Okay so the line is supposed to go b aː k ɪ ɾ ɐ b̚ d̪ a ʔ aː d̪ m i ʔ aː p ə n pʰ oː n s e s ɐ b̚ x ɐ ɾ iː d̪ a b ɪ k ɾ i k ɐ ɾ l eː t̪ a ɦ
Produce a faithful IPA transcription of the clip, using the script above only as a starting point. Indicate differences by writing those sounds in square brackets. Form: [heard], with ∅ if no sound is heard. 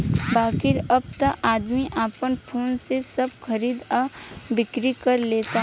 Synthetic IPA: b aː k ɪ ɾ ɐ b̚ [t̪] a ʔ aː d̪ m i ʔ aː p ə n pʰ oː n s e s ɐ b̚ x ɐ ɾ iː d̪ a b ɪ k ɾ i k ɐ ɾ l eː t̪ a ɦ